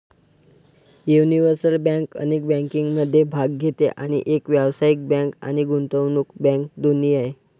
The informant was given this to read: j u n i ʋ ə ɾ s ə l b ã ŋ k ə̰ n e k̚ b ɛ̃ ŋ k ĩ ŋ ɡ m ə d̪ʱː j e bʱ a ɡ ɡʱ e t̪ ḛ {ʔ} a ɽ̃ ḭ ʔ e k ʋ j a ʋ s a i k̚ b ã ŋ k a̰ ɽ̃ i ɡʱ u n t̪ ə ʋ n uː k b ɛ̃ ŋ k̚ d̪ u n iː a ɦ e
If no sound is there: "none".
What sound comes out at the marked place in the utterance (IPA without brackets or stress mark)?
ʔ